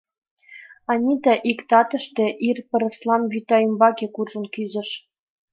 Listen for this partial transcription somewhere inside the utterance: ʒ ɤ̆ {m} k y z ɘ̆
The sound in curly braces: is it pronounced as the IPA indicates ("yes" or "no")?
no